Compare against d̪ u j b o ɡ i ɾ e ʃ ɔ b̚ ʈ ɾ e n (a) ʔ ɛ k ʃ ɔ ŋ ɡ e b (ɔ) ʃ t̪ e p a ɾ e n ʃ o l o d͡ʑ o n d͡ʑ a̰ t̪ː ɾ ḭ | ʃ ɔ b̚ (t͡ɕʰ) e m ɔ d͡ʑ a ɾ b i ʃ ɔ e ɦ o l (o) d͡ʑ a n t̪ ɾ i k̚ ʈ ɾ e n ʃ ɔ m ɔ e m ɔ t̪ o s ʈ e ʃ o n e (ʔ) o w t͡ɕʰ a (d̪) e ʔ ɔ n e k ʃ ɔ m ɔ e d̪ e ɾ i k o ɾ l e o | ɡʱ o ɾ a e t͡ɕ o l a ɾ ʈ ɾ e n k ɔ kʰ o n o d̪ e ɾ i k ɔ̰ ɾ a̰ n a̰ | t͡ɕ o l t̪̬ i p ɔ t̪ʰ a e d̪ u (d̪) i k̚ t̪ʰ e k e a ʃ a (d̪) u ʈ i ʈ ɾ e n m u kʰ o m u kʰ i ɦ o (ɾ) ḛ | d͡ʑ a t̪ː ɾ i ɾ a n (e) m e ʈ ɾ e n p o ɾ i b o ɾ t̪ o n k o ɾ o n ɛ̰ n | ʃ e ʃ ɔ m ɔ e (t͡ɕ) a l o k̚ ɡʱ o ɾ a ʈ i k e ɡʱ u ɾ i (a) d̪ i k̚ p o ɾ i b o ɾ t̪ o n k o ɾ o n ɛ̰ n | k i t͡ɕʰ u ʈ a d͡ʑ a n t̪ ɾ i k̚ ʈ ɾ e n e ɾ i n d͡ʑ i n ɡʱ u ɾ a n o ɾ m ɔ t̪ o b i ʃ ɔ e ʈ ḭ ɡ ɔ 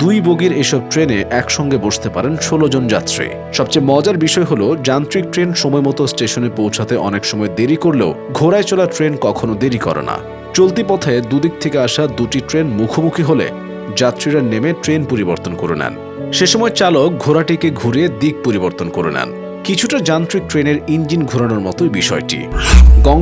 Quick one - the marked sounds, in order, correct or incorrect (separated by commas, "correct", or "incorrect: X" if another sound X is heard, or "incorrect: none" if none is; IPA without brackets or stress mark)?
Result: incorrect: e, incorrect: o, incorrect: t͡ɕ, correct, incorrect: p, incorrect: t̪, correct, correct, incorrect: l, correct, correct, incorrect: e